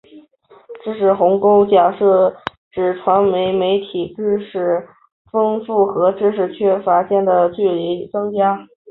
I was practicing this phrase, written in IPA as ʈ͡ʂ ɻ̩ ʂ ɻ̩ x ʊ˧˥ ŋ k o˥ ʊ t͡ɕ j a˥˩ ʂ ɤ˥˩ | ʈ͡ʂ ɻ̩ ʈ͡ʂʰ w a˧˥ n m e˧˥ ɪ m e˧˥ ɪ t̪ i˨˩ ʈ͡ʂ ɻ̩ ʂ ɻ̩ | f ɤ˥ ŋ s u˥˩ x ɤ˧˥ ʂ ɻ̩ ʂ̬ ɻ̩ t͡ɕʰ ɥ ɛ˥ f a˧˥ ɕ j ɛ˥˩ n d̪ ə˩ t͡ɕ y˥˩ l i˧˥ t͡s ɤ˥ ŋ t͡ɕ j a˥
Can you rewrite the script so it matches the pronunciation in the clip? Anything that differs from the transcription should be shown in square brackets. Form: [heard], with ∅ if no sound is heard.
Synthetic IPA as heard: ʈ͡ʂ ɻ̩ ʂ ɻ̩ x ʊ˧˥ ŋ k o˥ ʊ t͡ɕ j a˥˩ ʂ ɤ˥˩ | ʈ͡ʂ ɻ̩ ʈ͡ʂʰ w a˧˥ n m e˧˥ ɪ m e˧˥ ɪ [t̪ʰ] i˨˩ ʈ͡ʂ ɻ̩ ʂ ɻ̩ | f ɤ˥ ŋ [f] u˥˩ x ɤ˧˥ [ʈ͡ʂ] ɻ̩ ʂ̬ ɻ̩ t͡ɕʰ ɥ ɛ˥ f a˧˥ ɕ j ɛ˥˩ n d̪ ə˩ t͡ɕ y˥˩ l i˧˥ t͡s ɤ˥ ŋ t͡ɕ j a˥